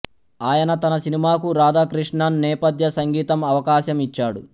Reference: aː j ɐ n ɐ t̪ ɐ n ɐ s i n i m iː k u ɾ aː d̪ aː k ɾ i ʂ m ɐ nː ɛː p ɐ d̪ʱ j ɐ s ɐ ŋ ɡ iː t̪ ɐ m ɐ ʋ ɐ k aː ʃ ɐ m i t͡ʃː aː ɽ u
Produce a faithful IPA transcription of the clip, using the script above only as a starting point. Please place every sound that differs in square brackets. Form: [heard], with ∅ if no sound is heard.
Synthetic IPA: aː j ɐ n ɐ t̪ ɐ n ɐ s i n i m [aː] k u ɾ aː d̪ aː k ɾ i ʂ [ɳ] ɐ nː ɛː p ɐ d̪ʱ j ɐ s ɐ ŋ ɡ iː t̪ ɐ m ɐ ʋ ɐ k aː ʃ ɐ m i t͡ʃː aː ɽ u